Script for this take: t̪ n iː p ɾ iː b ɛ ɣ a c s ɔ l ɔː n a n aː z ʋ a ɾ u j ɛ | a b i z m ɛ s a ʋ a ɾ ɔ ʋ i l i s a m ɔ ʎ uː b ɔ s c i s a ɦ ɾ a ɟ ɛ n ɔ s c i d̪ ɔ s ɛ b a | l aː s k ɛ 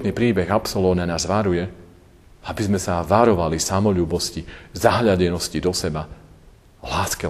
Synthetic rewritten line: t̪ n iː p ɾ iː b ɛ ɣ a p s ɔ l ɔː n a n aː z ʋ a ɾ u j ɛ | a b i z m ɛ s a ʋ a ɾ ɔ ʋ a l i s a m ɔ ʎ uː b ɔ s c i z a ɦ ʎ a ɟ ɛ n ɔ s c i d̪ ɔ s ɛ b a | l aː s k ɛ